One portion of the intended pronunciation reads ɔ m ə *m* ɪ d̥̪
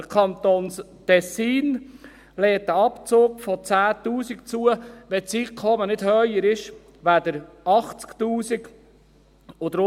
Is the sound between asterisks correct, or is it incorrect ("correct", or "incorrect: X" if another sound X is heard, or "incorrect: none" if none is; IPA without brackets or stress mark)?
incorrect: n